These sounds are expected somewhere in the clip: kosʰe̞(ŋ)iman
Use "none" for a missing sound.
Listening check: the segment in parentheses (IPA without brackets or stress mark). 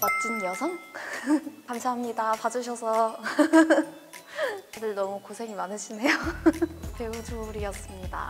ŋ